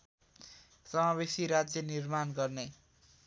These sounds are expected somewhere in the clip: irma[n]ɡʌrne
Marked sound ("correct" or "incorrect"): correct